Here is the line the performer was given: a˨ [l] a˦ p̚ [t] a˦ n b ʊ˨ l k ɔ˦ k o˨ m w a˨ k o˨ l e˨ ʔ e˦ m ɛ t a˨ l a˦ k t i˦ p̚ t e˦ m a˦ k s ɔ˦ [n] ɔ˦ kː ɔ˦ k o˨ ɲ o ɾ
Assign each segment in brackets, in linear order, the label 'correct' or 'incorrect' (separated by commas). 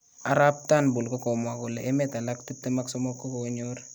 incorrect, correct, incorrect